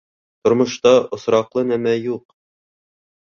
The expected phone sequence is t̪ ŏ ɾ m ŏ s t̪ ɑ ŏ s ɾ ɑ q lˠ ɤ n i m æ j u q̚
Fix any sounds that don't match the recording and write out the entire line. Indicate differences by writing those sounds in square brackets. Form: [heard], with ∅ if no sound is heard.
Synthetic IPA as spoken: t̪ ŏ ɾ m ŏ [ʃ] t̪ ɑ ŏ s ɾ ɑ q lˠ ɤ n [æ] m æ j u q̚